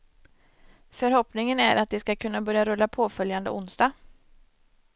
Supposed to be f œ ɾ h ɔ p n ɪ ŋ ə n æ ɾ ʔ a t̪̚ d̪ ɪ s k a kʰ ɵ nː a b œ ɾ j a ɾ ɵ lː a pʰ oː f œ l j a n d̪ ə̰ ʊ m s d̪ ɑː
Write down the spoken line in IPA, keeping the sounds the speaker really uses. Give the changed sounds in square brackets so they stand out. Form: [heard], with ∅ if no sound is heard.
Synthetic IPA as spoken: f œ ɾ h ɔ p n ɪ ŋ ə n æ ɾ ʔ a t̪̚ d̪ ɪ s k a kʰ ɵ nː a b œ ɾ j a ɾ ɵ lː a pʰ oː f œ l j a n d̪ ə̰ ʊ [n] s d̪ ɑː